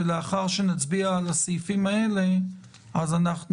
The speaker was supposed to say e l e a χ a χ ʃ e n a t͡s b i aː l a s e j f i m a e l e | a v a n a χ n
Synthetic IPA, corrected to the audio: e l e a χ a ʁ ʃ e n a t͡s b i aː l a s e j f i m a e l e | a z a n a χ n